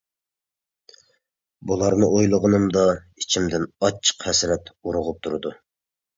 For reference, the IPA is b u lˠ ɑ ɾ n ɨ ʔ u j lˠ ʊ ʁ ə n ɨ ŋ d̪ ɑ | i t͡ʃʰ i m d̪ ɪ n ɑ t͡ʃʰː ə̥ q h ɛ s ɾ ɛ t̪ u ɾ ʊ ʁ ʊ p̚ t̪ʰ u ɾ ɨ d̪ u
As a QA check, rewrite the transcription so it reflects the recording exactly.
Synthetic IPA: b u lˠ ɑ ɾ n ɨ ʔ o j lˠ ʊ ʁ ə n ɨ m d̪ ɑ | i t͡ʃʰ i m d̪ ɪ n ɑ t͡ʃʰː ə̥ q h ɛ s ɾ ɛ t̪ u ɾ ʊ ʁ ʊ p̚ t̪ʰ u ɾ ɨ d̪ u